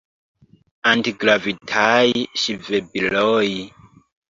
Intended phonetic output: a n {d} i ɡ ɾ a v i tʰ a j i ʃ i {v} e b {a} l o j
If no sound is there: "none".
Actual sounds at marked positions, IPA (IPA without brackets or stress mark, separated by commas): t, v, i